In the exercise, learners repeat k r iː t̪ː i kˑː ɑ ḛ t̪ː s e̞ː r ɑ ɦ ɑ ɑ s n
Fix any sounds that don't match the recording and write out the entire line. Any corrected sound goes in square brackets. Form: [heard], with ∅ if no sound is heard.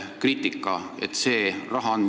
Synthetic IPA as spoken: k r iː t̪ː i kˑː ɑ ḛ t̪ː s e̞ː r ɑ ɦ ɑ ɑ [∅] n